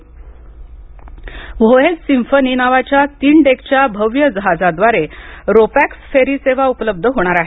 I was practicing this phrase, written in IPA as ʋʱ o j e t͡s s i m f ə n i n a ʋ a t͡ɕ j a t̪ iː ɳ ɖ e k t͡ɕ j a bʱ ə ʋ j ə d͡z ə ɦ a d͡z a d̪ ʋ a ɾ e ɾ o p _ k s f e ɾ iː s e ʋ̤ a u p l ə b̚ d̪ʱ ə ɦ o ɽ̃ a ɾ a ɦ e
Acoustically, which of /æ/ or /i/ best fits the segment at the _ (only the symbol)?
æ